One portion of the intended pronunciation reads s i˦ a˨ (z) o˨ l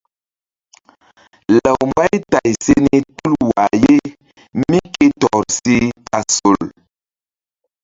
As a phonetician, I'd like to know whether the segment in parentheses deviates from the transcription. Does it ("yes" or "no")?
yes